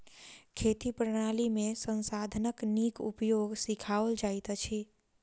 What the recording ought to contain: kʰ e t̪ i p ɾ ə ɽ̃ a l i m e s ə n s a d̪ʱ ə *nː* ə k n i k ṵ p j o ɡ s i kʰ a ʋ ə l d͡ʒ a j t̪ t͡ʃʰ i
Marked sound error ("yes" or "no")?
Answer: yes